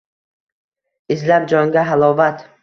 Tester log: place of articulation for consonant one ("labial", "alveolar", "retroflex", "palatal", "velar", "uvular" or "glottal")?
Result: alveolar